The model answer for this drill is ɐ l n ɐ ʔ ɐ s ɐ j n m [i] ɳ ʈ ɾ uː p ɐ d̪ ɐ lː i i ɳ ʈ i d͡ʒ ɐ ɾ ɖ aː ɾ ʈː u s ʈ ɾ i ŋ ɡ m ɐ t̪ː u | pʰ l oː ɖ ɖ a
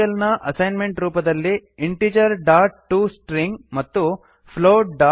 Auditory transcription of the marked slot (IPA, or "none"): e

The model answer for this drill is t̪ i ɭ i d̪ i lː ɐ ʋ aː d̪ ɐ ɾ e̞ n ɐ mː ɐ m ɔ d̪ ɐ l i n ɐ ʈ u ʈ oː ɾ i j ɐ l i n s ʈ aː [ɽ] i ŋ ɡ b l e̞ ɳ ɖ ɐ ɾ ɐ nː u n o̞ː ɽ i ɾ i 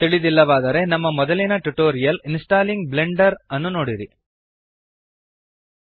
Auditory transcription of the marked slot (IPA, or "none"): l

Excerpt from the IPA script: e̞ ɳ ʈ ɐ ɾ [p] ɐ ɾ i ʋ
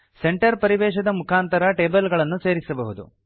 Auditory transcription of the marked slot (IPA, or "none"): p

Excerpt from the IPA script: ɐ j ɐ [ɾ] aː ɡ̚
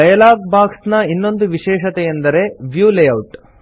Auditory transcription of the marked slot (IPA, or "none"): l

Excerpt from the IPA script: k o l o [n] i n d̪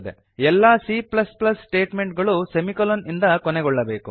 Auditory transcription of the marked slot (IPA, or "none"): n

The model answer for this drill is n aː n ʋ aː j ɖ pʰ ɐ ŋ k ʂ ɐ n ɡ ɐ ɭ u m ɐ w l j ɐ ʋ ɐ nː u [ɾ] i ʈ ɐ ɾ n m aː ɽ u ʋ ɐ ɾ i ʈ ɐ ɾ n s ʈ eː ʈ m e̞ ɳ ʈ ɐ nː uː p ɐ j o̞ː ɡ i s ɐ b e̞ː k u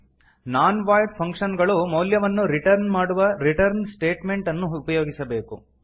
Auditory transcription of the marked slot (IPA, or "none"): ɾ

